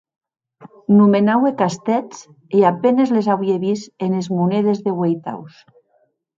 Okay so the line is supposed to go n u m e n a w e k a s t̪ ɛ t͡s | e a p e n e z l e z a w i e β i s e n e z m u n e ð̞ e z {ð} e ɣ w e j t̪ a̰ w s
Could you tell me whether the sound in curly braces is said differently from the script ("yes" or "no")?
no